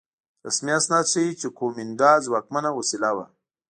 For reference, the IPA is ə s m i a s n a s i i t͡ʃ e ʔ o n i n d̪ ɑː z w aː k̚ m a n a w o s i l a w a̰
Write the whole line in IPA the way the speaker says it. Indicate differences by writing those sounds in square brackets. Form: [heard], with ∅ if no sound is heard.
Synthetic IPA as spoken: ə s m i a s n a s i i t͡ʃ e [k] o [m] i n d̪ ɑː z w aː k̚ m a n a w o s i l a w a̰